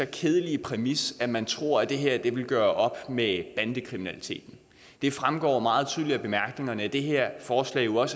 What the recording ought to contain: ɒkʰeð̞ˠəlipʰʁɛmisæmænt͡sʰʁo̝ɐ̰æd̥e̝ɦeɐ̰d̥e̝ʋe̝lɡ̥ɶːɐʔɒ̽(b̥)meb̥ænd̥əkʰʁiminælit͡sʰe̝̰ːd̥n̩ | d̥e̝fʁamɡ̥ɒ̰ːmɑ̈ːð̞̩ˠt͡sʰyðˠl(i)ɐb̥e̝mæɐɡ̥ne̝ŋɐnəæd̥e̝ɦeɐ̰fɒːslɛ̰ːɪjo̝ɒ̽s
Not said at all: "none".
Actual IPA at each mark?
b̥, i

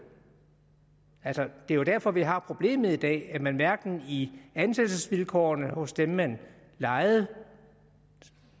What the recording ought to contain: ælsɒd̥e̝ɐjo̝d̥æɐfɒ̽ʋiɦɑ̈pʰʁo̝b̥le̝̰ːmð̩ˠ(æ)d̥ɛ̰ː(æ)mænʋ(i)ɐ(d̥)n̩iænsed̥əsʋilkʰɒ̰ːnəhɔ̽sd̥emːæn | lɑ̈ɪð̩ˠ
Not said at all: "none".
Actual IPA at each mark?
i, æ, æ, ɡ̥

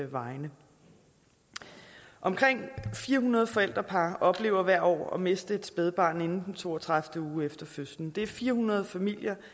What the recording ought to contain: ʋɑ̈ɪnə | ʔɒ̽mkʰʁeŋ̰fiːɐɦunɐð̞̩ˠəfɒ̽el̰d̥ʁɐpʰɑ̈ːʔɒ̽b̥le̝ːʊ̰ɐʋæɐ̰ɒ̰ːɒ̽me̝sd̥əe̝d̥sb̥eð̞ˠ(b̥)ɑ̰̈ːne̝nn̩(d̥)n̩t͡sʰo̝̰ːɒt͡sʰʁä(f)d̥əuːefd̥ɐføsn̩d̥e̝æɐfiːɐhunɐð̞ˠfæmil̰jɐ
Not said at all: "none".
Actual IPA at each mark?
b̥, d̥, f

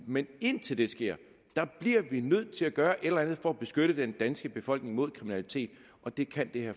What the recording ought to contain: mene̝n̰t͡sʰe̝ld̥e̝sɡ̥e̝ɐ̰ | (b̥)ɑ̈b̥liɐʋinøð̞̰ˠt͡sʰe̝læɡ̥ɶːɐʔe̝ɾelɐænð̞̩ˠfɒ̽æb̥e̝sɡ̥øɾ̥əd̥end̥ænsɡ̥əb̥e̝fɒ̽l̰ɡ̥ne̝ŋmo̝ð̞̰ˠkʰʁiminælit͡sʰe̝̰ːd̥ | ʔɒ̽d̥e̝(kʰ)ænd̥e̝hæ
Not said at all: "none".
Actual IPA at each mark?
d̥, kʰ

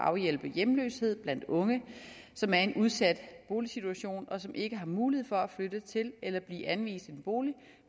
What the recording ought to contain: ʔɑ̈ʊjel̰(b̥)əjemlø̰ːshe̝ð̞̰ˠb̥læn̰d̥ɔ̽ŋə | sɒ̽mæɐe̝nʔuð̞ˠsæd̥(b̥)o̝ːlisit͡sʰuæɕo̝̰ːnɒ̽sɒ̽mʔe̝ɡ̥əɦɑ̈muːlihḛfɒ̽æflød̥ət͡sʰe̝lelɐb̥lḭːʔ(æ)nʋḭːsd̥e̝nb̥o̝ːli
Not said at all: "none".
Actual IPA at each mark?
b̥, b̥, æ

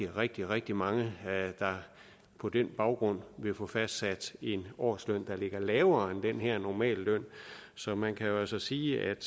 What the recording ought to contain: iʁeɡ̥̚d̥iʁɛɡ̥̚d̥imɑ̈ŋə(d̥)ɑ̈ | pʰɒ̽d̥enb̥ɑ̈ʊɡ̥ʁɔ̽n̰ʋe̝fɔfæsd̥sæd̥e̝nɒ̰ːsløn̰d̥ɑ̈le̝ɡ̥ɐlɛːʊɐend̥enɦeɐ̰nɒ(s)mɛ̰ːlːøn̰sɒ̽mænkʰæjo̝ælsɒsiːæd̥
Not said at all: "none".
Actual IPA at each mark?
d̥, none

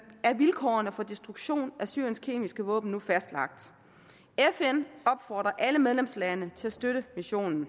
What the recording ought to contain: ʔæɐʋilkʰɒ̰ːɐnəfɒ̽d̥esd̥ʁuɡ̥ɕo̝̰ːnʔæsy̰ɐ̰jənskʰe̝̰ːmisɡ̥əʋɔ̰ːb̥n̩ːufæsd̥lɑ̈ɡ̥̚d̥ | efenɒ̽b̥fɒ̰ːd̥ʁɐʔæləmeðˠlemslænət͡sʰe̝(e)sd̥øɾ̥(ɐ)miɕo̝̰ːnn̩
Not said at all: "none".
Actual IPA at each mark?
æ, ə

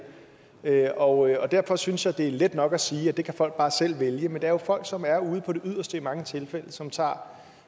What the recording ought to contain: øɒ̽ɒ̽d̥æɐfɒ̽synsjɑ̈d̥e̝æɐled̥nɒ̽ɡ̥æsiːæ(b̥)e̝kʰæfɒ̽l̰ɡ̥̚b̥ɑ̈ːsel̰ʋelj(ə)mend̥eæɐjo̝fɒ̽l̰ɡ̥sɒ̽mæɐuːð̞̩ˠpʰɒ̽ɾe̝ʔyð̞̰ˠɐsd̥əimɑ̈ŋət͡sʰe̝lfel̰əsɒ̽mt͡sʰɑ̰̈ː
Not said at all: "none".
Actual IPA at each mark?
d̥, ə

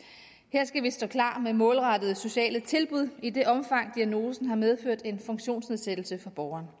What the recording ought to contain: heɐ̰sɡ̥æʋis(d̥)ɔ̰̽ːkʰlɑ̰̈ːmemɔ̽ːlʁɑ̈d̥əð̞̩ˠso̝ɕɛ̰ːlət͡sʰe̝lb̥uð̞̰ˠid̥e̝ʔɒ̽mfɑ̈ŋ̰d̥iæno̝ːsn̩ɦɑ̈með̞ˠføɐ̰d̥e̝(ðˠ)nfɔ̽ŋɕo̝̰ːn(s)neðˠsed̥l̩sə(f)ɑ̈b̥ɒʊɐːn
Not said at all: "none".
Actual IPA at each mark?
d̥, none, s, f

